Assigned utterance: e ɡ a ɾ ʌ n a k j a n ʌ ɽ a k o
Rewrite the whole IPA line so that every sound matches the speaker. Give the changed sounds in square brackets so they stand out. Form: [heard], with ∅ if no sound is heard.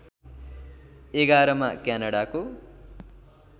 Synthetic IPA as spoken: e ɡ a ɾ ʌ [m] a k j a n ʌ ɽ a k o